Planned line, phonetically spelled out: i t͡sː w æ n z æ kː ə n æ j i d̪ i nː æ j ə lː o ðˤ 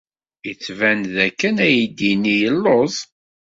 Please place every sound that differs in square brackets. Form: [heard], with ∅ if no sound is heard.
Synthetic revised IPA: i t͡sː [v] æ n [ð] æ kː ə n æ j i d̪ i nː [i] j ə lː o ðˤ